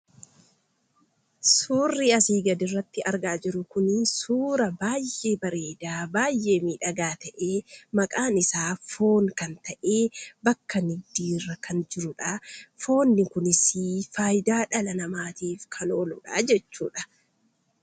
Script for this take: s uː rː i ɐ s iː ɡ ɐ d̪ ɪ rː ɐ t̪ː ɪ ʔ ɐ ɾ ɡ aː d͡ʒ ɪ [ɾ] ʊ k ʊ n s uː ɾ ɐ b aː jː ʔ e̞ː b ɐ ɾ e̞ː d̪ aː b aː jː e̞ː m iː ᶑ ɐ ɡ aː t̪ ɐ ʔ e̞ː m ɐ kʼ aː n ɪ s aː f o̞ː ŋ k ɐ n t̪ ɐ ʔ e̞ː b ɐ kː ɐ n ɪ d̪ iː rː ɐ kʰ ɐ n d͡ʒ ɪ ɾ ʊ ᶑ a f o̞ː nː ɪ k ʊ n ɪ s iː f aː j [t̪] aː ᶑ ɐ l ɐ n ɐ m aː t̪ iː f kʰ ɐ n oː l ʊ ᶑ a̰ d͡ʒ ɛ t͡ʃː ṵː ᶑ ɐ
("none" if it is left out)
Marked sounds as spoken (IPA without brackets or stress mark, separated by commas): ɾ, d̪